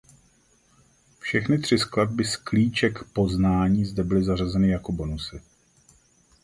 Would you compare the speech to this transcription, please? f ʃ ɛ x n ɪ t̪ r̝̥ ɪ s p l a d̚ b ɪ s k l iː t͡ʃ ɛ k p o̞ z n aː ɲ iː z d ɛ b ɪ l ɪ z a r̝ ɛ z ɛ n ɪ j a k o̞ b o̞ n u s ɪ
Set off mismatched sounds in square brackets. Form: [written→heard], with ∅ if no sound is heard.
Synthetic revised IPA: f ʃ ɛ x n ɪ t̪ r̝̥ ɪ s [p→k] l a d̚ b ɪ s k l iː t͡ʃ ɛ k p o̞ z n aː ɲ iː z d ɛ b ɪ l ɪ z a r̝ [ɛ→a] z ɛ n ɪ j a k o̞ b o̞ n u s ɪ